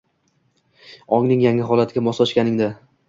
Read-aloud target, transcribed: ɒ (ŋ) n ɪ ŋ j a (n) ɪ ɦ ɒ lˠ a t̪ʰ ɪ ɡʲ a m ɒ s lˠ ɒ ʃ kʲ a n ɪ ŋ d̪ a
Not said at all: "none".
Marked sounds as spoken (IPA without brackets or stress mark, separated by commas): ŋ, ŋ